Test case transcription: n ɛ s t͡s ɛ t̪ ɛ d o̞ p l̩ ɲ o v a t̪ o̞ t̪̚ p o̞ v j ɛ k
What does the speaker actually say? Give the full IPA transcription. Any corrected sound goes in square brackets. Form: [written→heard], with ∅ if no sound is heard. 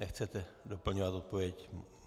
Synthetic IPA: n ɛ [s→x] t͡s ɛ t̪ ɛ d o̞ p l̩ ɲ o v a t̪ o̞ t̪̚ p o̞ v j ɛ [k→c]